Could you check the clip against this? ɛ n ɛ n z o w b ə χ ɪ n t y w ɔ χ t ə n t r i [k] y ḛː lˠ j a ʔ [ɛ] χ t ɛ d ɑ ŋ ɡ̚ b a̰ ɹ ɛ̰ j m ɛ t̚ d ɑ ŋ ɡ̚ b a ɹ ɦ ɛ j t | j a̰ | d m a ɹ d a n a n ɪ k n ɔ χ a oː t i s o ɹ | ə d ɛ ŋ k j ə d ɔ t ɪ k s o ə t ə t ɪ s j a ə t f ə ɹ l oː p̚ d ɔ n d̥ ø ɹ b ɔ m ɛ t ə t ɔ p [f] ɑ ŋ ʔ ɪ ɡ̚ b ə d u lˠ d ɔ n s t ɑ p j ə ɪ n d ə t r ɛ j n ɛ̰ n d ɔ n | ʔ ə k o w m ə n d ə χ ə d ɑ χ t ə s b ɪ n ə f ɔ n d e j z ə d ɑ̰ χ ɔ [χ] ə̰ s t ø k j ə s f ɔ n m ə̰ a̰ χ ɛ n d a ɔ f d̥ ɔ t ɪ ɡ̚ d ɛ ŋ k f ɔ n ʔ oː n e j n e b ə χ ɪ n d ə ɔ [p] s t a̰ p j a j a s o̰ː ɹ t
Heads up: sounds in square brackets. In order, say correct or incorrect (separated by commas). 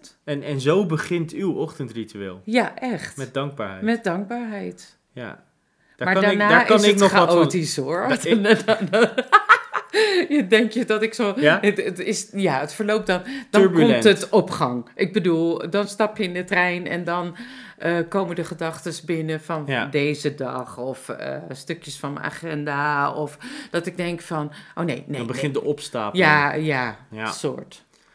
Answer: incorrect, correct, incorrect, incorrect, correct